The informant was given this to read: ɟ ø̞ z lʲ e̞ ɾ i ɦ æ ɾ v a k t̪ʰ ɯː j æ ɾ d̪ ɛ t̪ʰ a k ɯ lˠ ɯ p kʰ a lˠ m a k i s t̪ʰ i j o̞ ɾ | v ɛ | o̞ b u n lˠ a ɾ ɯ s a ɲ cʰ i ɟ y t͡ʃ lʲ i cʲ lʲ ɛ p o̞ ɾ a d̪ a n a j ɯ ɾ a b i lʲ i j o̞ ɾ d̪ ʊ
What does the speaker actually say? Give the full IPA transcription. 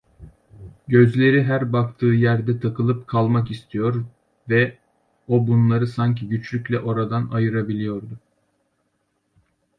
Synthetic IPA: ɟ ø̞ z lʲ e̞ ɾ i ɦ æ ɾ b a k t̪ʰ ɯː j æ ɾ d̪ ɛ t̪ʰ a k ɯ lˠ ɯ p kʰ a lˠ m a k i s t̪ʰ i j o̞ ɾ | v ɛ | o̞ b u n lˠ a ɾ ɯ s a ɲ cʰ i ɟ y t͡ʃ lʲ y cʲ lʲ ɛ ʔ o̞ ɾ a d̪ a n a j ɯ ɾ a b i lʲ i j o̞ ɾ d̪ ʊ